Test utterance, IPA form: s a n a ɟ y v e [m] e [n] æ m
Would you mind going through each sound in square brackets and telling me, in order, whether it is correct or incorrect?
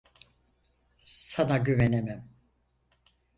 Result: incorrect: n, incorrect: m

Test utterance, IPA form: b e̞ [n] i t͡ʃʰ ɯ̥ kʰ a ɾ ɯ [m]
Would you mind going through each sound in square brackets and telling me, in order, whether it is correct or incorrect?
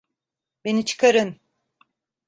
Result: correct, incorrect: n

